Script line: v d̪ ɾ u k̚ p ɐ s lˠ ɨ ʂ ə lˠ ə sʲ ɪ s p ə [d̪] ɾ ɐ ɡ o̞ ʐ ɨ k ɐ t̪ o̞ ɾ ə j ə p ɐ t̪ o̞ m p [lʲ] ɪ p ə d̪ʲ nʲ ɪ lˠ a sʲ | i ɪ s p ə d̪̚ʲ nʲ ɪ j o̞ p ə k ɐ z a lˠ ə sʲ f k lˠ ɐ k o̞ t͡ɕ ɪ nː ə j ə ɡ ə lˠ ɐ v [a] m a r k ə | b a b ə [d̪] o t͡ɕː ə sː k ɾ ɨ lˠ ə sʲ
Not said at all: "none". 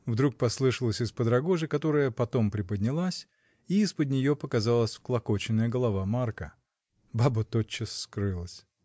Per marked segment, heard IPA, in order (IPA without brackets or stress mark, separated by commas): d̪, ɾʲ, a, t̪